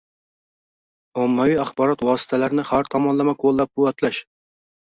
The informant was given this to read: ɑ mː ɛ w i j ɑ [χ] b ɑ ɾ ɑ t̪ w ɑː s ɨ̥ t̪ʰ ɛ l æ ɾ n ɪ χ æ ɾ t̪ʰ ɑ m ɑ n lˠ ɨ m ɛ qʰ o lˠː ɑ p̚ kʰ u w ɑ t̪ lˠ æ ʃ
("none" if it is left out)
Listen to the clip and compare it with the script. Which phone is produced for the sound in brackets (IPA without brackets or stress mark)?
χ